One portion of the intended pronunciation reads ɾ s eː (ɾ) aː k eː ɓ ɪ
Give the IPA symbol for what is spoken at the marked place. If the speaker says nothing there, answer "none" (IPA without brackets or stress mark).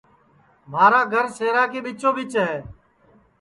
ɾ